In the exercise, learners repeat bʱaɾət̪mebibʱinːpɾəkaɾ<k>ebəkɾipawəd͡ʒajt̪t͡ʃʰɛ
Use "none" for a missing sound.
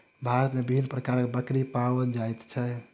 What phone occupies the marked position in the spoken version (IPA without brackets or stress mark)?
k